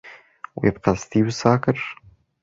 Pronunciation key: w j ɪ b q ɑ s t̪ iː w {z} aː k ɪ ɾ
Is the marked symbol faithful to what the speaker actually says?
no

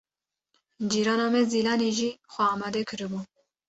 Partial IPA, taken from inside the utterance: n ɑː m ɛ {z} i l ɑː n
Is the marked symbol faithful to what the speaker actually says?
yes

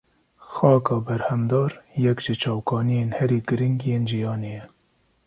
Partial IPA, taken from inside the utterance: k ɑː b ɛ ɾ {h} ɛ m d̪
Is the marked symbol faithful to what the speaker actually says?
yes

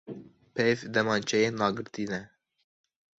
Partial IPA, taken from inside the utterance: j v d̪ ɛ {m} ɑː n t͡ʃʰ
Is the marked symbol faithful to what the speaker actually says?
yes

